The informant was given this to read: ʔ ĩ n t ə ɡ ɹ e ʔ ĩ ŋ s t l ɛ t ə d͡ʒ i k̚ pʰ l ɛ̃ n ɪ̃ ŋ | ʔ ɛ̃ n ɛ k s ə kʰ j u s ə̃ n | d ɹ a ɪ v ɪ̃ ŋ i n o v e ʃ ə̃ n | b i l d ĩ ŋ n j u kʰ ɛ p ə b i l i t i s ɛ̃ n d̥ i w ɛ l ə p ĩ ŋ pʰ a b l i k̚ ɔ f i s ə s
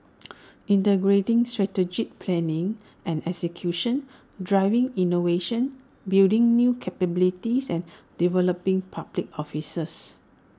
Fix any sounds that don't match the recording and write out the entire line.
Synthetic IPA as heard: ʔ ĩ n t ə ɡ ɹ e t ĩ ŋ s t ɹ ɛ t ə d͡ʒ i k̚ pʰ l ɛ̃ n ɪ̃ ŋ | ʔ ɛ̃ n ɛ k s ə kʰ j u ʃ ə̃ n | d ɹ a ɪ v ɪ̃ ŋ i n o v e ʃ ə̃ n | b i l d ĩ ŋ n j u kʰ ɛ p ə b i l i t i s ɛ̃ n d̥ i v ɛ l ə p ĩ ŋ pʰ a b l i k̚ ɔ f i s ə s